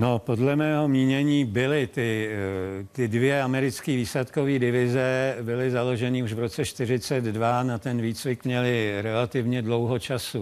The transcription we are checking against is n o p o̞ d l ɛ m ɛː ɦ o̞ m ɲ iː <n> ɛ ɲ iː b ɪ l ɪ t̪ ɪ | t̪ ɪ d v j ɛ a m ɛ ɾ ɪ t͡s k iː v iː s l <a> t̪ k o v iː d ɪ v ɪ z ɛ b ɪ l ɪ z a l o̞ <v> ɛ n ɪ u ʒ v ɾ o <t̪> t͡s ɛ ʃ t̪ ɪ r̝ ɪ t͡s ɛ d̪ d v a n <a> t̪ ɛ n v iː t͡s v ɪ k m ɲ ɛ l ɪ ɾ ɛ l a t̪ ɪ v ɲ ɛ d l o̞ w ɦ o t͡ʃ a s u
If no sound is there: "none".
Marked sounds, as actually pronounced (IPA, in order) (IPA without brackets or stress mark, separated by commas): ɲ, ɛ, ʒ, none, a